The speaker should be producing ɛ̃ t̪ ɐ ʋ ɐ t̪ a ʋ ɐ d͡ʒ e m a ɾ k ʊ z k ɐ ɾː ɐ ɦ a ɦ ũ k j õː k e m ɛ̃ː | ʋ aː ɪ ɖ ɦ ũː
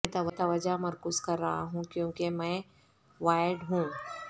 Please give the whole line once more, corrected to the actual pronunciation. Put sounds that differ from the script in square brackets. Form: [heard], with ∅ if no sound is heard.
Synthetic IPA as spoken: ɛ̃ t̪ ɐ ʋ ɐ t̪ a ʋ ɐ d͡ʒ [a] m [ɐ] ɾ k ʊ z k ɐ ɾː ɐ ɦ a ɦ ũ k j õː k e m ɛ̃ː | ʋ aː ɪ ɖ ɦ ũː